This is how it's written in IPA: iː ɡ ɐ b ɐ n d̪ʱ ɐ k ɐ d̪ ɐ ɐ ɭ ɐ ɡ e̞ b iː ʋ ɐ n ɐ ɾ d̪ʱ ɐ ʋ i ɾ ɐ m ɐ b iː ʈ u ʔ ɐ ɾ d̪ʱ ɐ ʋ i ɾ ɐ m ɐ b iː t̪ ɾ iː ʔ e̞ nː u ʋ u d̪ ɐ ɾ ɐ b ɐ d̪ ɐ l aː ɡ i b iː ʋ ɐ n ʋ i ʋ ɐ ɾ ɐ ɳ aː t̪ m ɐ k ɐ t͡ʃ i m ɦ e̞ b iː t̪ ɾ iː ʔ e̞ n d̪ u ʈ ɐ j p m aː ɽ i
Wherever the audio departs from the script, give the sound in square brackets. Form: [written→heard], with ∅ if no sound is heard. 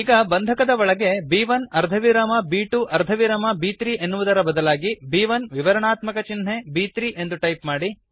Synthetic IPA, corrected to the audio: iː ɡ ɐ b ɐ n d̪ʱ ɐ k ɐ d̪ ɐ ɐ ɭ ɐ ɡ e̞ b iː ʋ ɐ n ɐ ɾ d̪ʱ ɐ ʋ i ɾ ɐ m ɐ b iː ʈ u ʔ ɐ ɾ d̪ʱ ɐ ʋ i ɾ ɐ m ɐ b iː t̪ ɾ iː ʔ e̞ nː u ʋ u d̪ ɐ ɾ ɐ b ɐ d̪ ɐ l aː ɡ i b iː ʋ ɐ n ʋ i ʋ ɐ ɾ ɐ ɳ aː t̪ m ɐ k ɐ t͡ʃ i [m→n] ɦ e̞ b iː t̪ ɾ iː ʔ e̞ n d̪ u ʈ ɐ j p m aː ɽ i